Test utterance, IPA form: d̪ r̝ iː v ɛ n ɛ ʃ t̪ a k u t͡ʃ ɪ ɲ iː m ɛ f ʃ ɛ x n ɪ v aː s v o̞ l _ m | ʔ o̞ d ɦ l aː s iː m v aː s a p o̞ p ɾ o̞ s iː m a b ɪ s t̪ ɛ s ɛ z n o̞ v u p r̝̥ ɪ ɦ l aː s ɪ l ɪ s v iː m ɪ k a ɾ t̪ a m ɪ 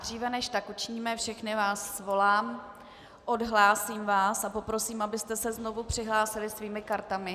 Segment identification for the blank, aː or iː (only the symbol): aː